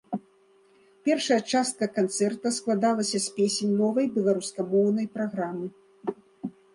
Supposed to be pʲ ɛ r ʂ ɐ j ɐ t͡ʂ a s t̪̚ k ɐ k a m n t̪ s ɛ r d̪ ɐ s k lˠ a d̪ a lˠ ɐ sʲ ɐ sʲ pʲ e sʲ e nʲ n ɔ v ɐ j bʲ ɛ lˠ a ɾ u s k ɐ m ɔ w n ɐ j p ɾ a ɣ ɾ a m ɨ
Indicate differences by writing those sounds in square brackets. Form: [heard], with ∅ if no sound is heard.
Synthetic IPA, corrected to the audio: pʲ ɛ r ʂ ɐ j ɐ t͡ʂ a s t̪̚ k ɐ k a [∅] n t̪ s ɛ r [t̪] ɐ s k lˠ a d̪ a lˠ ɐ sʲ ɐ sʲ pʲ e sʲ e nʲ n ɔ v ɐ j bʲ ɛ lˠ a ɾ u s k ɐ m ɔ w n ɐ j p ɾ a ɣ ɾ a m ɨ